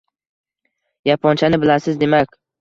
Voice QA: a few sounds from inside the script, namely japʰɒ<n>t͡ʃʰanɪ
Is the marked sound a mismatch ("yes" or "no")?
no